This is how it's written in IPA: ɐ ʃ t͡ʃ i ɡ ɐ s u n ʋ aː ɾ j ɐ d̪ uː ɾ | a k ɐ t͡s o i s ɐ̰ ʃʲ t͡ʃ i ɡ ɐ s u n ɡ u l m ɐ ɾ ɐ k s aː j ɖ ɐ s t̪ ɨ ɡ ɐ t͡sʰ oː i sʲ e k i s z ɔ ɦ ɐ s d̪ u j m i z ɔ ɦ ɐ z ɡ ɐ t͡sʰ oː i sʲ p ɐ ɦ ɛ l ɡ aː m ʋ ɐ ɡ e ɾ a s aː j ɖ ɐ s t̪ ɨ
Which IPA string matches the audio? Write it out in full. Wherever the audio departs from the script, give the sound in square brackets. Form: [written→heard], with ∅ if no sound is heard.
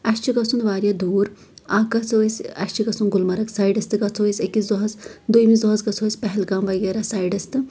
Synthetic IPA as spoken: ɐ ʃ t͡ʃ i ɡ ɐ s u n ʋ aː ɾ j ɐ d̪ uː ɾ | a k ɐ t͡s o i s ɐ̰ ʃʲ t͡ʃ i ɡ ɐ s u n ɡ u l m ɐ ɾ ɐ k s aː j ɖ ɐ s t̪ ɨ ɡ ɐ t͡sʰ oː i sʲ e k i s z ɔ ɦ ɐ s d̪ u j m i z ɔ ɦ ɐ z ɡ ɐ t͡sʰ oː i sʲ p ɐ ɦ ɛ l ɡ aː m ʋ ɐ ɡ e ɾ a s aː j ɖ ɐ s t̪ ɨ